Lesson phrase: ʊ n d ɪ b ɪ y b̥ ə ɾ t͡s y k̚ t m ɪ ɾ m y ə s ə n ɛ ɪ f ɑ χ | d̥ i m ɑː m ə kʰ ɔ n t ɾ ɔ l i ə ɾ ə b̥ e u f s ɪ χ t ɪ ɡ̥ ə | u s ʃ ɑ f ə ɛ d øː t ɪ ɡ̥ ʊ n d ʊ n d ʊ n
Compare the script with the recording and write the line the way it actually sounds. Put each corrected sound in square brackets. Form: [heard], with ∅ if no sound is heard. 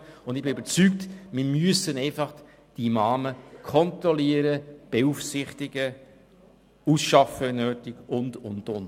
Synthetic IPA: ʊ n d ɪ b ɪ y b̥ ə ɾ t͡s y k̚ t m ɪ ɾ m y ə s ə n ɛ ɪ f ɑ χ | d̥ i m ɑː m ə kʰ ɔ n t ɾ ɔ l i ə ɾ ə b̥ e u f s ɪ χ t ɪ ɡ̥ ə | u s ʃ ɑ f ə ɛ [n] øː t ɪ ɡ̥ ʊ n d ʊ n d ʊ n

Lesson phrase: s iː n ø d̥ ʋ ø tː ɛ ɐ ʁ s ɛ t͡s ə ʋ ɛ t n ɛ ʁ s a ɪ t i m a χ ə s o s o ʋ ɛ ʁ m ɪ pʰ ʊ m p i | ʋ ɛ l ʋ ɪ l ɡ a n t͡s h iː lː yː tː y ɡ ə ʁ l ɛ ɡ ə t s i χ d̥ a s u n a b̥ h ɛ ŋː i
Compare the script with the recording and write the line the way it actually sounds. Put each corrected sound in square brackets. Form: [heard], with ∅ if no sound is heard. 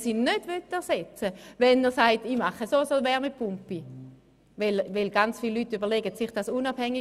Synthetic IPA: s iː n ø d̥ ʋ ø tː ɛ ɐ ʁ s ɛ t͡s ə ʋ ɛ [∅] n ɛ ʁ s a ɪ t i m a χ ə s o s o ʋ ɛ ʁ m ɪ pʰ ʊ m p i | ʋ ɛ l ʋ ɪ l ɡ a n t͡s [f] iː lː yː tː y [b] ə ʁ l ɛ ɡ ə t s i χ d̥ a s u n a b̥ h ɛ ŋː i

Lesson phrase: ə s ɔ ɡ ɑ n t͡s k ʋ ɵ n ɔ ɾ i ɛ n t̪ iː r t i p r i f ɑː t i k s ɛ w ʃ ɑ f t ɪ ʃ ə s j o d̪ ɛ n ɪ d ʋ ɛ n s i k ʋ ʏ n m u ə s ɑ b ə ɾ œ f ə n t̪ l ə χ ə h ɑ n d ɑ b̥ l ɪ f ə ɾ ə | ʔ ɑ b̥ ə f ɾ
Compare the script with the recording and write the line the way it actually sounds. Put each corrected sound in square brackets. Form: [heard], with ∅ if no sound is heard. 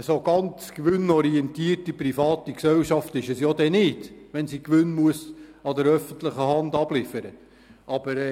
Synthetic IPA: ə s [o] ɡ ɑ n t͡s k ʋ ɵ n ɔ ɾ i ɛ n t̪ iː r t i p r i f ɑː t i k s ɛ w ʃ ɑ f t ɪ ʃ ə s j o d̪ ɛ n ɪ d ʋ ɛ n s i k ʋ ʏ n m u ə s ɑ [d] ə ɾ œ f ə n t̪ l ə χ ə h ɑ n d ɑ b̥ l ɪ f ə ɾ ə | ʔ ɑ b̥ ə [∅] ɾ

